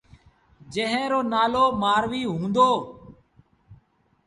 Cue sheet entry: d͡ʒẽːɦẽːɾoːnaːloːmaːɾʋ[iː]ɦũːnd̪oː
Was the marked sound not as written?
no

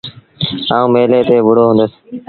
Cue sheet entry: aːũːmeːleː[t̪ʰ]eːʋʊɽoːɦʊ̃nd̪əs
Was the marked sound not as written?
yes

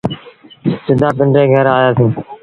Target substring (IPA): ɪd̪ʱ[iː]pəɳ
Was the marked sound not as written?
yes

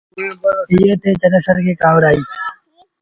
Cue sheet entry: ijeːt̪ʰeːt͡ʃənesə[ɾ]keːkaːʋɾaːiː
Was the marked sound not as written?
no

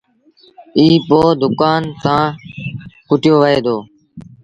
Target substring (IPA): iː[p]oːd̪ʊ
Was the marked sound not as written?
no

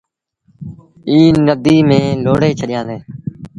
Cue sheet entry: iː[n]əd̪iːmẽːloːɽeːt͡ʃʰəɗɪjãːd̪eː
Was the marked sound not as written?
no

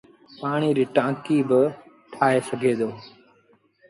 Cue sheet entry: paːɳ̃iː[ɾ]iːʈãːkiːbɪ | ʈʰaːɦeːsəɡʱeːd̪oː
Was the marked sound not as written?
no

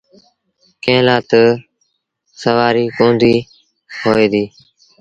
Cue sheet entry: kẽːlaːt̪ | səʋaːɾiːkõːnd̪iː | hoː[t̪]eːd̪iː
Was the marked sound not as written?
yes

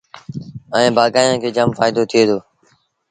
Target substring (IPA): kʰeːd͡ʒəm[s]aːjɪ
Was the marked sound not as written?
yes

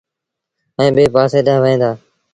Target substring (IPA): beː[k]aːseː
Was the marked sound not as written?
yes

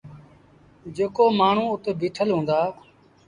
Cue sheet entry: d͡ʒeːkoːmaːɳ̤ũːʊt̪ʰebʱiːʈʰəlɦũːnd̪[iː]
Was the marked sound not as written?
yes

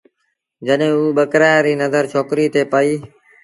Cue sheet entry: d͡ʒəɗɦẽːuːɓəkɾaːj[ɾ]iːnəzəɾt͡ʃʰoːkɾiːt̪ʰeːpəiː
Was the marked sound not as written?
no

